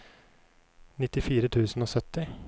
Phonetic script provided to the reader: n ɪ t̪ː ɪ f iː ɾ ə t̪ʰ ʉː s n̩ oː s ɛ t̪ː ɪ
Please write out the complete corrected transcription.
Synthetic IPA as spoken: n ɪ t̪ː ɪ f iː ɾ ə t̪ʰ ʉː s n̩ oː s œ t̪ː ɪ